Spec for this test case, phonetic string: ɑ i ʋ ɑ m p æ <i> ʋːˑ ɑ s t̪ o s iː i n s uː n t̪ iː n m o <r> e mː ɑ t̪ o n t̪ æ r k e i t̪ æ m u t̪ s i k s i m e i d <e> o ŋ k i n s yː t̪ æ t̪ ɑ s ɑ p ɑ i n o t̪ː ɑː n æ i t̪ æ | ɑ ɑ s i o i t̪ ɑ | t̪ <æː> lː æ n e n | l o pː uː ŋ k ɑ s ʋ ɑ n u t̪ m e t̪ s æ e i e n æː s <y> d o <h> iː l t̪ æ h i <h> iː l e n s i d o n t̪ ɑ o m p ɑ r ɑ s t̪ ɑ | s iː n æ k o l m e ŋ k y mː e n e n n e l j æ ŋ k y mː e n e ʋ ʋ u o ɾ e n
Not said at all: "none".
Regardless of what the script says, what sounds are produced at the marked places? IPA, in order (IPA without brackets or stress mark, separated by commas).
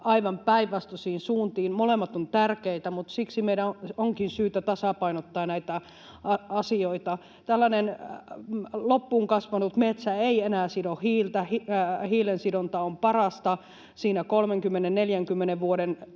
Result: i, l, æ, æ, i, h, h